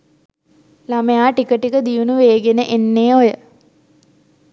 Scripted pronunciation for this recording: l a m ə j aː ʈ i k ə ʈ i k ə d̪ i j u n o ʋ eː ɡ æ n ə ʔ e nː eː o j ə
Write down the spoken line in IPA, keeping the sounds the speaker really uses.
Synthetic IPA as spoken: l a m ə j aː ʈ i k ə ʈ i k ə d̪ i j u n u ʋ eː ɡ e n ə ʔ e nː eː o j ə